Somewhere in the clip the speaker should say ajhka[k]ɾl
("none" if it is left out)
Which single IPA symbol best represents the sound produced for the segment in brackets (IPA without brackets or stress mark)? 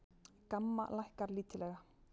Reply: none